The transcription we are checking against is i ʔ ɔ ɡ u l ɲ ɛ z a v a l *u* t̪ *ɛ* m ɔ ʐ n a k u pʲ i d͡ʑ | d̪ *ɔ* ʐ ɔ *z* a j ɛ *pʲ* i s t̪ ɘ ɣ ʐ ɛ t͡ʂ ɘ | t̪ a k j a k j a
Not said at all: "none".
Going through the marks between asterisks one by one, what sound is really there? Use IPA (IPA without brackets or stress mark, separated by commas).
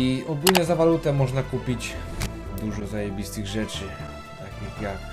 u, ɛ, u, z, bʲ